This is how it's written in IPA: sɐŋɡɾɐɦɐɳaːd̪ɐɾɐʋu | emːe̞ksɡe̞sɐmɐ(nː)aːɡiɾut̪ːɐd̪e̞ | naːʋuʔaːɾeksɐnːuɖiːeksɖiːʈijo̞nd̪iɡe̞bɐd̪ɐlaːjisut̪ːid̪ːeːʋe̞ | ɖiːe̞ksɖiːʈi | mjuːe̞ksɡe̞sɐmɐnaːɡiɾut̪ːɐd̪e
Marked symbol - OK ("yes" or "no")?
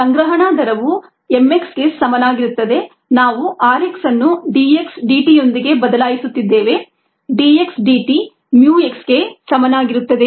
no